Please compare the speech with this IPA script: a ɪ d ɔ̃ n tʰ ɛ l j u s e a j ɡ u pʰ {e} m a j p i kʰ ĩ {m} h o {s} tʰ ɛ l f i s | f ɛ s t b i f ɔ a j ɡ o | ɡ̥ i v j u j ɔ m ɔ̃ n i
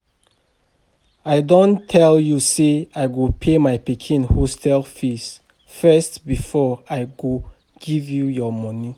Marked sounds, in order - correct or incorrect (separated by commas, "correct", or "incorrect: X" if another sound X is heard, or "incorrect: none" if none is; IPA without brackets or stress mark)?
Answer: correct, incorrect: n, correct